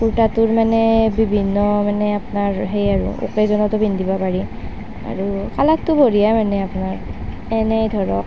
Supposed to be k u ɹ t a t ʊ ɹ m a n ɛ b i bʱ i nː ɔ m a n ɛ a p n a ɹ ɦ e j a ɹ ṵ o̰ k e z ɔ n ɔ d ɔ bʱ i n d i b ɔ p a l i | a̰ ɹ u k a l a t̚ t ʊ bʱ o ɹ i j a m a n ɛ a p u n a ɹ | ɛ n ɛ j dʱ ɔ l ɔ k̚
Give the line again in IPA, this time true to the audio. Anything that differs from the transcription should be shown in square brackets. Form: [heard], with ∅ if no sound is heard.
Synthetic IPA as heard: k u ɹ t a t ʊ ɹ m a n ɛ b i bʱ i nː ɔ m a n ɛ a p n a ɹ ɦ e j a ɹ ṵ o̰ k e z ɔ n ɔ [t] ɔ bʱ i n d i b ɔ p a [ɹ] i | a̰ ɹ u k a l a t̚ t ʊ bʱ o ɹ i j a m a n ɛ a p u n a ɹ | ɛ n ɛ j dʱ ɔ [ɹ] ɔ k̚